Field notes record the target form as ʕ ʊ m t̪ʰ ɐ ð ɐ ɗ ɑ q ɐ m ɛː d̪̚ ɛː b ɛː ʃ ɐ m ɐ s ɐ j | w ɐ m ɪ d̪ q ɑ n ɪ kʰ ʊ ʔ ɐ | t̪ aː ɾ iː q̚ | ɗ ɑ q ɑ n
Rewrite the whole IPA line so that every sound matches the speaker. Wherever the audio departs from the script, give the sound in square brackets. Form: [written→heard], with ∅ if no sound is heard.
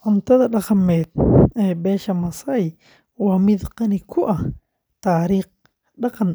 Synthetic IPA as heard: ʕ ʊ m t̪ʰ ɐ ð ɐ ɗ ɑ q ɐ m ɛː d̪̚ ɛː b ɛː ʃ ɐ m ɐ s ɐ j | w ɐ m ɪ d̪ q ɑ n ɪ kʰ ʊ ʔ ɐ | t̪ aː ɾ iː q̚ | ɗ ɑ q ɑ n